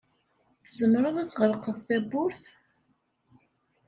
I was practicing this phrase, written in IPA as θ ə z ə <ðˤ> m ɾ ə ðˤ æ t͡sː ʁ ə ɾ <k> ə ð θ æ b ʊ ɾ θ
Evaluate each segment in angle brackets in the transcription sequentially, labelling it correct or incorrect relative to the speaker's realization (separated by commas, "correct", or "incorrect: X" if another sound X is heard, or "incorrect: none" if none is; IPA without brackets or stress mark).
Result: incorrect: none, incorrect: q